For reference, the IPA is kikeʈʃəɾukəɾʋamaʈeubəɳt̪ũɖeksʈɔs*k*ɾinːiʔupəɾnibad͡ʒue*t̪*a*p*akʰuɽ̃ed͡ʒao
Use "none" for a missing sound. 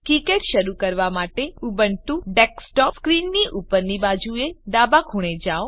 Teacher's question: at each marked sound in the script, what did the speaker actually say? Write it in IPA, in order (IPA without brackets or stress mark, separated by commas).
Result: k, d̪, b